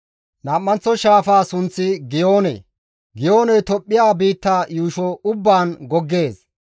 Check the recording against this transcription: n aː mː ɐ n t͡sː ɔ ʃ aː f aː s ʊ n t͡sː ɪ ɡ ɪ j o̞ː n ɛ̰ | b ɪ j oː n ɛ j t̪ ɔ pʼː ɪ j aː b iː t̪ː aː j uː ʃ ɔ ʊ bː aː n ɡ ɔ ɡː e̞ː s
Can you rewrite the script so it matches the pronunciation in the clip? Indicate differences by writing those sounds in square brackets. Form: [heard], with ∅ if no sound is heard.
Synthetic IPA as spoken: n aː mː ɐ n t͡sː ɔ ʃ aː f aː s ʊ n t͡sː ɪ ɡ ɪ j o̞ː n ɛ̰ | [ɡ] ɪ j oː n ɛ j t̪ ɔ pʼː ɪ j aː b iː t̪ː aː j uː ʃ ɔ ʊ bː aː n ɡ ɔ ɡː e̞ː s

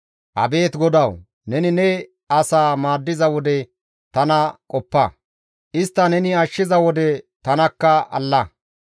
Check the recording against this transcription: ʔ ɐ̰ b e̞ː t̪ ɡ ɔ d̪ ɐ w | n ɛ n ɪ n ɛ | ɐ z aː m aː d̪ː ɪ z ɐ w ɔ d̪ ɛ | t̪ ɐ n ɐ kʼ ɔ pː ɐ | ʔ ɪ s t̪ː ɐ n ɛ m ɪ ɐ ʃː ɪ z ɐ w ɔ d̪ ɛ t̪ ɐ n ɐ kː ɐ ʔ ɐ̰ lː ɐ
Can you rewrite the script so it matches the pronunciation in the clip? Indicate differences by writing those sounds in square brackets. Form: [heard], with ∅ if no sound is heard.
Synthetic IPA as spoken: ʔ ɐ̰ b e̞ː t̪ ɡ ɔ d̪ ɐ w | n ɛ n ɪ n ɛ | ɐ [s] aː m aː d̪ː ɪ z ɐ w ɔ d̪ ɛ | t̪ ɐ n ɐ kʼ ɔ pː ɐ | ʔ ɪ s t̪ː ɐ n ɛ [n] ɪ ɐ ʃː ɪ z ɐ w ɔ d̪ ɛ t̪ ɐ n ɐ kː ɐ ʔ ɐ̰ lː ɐ

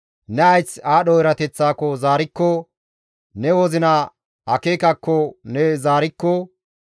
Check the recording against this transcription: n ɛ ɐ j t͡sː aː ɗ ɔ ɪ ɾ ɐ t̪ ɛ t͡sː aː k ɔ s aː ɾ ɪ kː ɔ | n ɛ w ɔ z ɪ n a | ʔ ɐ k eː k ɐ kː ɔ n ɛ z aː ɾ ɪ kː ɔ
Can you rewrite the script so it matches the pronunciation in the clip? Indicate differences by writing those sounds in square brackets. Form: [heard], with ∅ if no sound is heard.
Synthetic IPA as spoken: n ɛ ɐ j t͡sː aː ɗ ɔ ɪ ɾ ɐ t̪ ɛ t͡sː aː k ɔ [z] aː ɾ ɪ kː ɔ | n ɛ w ɔ z ɪ n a | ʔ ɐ k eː k ɐ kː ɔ n ɛ z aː ɾ ɪ kː ɔ

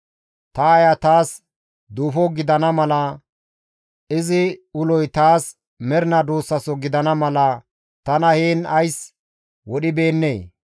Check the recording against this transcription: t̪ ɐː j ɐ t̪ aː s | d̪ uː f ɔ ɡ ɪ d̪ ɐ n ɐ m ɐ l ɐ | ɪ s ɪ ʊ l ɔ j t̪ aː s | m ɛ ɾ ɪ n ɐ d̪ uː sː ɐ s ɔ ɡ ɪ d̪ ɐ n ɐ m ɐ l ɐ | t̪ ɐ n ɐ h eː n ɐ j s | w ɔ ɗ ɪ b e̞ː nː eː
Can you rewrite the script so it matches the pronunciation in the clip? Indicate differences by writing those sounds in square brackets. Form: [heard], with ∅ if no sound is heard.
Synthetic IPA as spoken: t̪ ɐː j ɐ t̪ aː s | d̪ uː f ɔ ɡ ɪ d̪ ɐ n ɐ m ɐ l ɐ | ɪ [z] ɪ ʊ l ɔ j t̪ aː s | m ɛ ɾ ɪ n ɐ d̪ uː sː ɐ s ɔ ɡ ɪ d̪ ɐ n ɐ m ɐ l ɐ | t̪ ɐ n ɐ h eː n ɐ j s | w ɔ ɗ ɪ b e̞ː nː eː

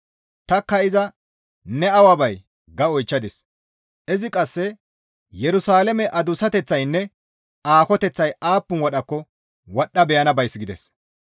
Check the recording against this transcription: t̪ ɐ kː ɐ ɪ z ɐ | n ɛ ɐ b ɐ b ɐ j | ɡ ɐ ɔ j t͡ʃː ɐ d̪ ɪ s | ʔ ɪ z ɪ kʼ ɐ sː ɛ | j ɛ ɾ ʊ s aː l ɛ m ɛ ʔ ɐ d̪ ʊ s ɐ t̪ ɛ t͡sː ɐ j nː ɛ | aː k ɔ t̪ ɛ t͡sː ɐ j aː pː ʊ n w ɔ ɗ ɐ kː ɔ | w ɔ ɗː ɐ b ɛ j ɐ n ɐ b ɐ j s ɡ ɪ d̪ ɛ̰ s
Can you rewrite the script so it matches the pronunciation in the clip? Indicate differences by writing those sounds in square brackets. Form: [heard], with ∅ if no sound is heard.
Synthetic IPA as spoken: t̪ ɐ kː ɐ ɪ z ɐ | n ɛ ɐ [w] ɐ b ɐ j | ɡ ɐ ɔ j t͡ʃː ɐ d̪ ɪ s | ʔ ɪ z ɪ kʼ ɐ sː ɛ | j ɛ ɾ ʊ s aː l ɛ m ɛ ʔ ɐ d̪ ʊ s ɐ t̪ ɛ t͡sː ɐ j nː ɛ | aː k ɔ t̪ ɛ t͡sː ɐ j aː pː ʊ n w ɔ ɗ ɐ kː ɔ | w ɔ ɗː ɐ b ɛ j ɐ n ɐ b ɐ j s ɡ ɪ d̪ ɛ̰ s

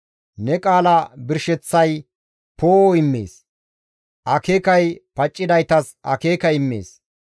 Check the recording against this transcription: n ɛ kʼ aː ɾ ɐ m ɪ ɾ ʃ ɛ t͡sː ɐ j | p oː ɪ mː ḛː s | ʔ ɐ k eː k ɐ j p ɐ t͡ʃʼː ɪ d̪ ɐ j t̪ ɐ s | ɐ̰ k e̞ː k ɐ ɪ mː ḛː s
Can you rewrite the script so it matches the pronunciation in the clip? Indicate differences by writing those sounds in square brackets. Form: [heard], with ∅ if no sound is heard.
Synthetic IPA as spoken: n ɛ kʼ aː [l] ɐ [b] ɪ ɾ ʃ ɛ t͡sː ɐ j | p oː ɪ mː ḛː s | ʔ ɐ k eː k ɐ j p ɐ t͡ʃʼː ɪ d̪ ɐ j t̪ ɐ s | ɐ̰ k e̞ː k ɐ ɪ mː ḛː s

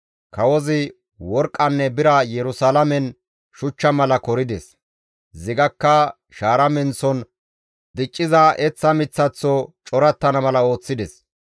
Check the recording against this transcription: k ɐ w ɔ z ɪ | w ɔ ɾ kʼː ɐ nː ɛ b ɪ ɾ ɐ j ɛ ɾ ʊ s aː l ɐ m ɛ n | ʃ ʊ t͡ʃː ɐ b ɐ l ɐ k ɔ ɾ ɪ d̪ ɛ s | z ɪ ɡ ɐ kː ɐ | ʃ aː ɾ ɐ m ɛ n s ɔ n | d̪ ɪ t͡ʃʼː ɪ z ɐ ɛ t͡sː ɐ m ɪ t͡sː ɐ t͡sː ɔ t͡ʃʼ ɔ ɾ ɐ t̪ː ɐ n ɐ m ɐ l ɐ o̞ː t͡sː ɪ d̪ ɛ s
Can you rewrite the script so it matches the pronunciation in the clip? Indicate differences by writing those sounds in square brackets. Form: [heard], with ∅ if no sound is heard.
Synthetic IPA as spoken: k ɐ w ɔ z ɪ | w ɔ ɾ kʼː ɐ nː ɛ b ɪ ɾ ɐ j ɛ ɾ ʊ s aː l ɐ m ɛ n | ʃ ʊ t͡ʃː ɐ [m] ɐ l ɐ k ɔ ɾ ɪ d̪ ɛ s | z ɪ ɡ ɐ kː ɐ | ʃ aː ɾ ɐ m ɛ n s ɔ n | d̪ ɪ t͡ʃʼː ɪ z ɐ ɛ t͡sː ɐ m ɪ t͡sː ɐ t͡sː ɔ t͡ʃʼ ɔ ɾ ɐ t̪ː ɐ n ɐ m ɐ l ɐ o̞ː t͡sː ɪ d̪ ɛ s

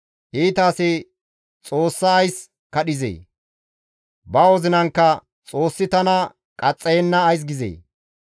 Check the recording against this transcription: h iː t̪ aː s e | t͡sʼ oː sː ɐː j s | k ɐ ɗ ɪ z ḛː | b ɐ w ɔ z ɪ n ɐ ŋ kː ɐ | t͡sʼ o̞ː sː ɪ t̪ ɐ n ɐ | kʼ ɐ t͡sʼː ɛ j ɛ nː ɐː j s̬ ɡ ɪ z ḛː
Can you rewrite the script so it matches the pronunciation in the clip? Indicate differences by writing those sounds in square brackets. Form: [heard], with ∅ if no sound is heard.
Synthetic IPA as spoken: h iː t̪ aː s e | t͡sʼ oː sː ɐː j s | k ɐ ɗ ɪ z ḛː | b ɐ w ɔ z ɪ n ɐ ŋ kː ɐ | t͡sʼ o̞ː sː ɪ t̪ ɐ n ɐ | kʼ ɐ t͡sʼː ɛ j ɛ nː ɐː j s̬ ɡ ɪ z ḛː

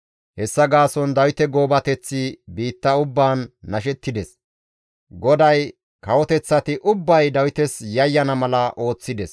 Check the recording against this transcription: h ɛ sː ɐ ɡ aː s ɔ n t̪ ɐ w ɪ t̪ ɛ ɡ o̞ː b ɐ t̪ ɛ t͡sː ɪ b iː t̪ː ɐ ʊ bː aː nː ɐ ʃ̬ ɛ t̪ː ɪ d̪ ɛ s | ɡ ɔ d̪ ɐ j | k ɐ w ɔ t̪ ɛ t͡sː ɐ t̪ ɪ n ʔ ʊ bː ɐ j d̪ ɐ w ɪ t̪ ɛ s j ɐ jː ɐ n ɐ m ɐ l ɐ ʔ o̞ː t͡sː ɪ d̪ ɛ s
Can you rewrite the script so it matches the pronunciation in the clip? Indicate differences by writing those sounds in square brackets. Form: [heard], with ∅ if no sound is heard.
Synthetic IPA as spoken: h ɛ sː ɐ ɡ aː s ɔ n [d̪] ɐ w ɪ t̪ ɛ ɡ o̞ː b ɐ t̪ ɛ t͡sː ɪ b iː t̪ː ɐ ʊ bː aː nː ɐ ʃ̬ ɛ t̪ː ɪ d̪ ɛ s | ɡ ɔ d̪ ɐ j | k ɐ w ɔ t̪ ɛ t͡sː ɐ t̪ ɪ [∅] ʔ ʊ bː ɐ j d̪ ɐ w ɪ t̪ ɛ s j ɐ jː ɐ n ɐ m ɐ l ɐ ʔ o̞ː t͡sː ɪ d̪ ɛ s

